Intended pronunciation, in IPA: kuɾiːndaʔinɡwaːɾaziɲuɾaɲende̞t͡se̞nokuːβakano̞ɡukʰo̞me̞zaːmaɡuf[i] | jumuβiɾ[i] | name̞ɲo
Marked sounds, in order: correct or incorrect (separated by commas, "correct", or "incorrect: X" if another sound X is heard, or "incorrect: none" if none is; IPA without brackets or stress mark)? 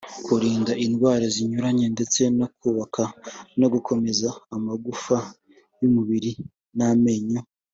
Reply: incorrect: a, correct